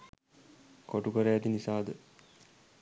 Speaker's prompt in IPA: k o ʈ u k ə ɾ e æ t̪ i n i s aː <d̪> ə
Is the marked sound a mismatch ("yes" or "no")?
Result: no